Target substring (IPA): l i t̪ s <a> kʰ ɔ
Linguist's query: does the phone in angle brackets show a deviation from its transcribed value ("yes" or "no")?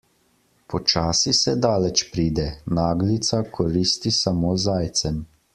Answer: no